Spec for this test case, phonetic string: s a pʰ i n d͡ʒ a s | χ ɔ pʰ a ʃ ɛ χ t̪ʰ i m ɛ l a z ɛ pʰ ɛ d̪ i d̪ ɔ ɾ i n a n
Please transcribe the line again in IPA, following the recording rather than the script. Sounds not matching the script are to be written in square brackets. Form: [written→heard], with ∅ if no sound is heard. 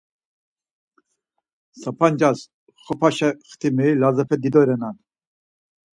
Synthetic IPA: s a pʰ [i→a] n d͡ʒ a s | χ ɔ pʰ a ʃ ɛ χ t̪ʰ i m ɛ l a z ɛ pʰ ɛ d̪ i d̪ ɔ ɾ [i→ɛ] n a n